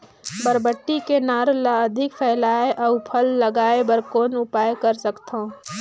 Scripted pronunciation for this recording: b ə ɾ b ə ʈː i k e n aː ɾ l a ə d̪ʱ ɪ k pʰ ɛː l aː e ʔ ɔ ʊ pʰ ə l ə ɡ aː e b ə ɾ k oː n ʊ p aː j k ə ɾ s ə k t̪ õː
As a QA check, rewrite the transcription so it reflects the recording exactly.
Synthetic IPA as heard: b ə ɾ b ə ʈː i k e n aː ɾ l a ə d̪ʱ ɪ k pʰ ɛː l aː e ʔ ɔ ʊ pʰ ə lː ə ɡ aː e b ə ɾ k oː n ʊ p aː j k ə ɾ s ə k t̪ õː